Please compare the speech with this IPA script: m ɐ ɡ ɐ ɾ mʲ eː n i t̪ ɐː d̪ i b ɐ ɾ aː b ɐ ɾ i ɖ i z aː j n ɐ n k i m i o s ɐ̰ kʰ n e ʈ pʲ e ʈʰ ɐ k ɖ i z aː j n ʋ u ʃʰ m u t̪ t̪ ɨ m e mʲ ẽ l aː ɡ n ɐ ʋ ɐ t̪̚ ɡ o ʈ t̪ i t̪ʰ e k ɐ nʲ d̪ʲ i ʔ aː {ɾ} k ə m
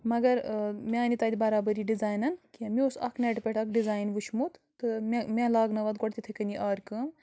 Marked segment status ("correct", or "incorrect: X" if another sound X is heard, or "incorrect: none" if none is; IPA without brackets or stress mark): correct